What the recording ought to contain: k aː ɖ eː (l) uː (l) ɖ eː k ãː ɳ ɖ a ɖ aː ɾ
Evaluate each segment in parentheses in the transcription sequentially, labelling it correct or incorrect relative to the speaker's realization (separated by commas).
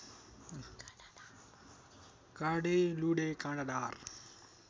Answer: correct, incorrect